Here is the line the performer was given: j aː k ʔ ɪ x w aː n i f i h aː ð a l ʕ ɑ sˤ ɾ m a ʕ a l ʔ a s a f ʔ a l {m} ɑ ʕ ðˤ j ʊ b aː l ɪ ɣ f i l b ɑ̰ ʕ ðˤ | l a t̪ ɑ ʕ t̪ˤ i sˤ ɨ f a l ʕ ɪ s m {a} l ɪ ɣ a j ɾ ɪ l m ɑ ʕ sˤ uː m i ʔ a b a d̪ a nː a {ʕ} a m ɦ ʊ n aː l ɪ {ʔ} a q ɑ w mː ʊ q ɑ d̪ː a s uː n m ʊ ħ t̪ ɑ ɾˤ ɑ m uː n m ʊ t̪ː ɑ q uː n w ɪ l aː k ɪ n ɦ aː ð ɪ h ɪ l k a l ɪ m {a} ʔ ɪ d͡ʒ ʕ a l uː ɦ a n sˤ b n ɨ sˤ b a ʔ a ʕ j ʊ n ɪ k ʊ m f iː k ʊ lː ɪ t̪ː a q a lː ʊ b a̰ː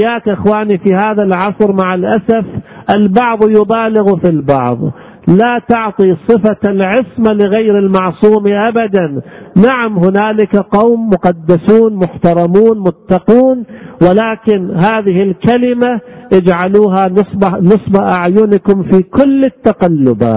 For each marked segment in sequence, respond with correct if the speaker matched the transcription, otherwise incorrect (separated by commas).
incorrect, correct, correct, incorrect, correct